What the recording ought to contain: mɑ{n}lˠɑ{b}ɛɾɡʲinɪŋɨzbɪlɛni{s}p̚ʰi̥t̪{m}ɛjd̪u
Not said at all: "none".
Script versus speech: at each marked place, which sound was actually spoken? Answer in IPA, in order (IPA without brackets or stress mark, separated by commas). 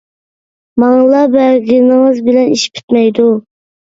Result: ŋ, b, ʃ, m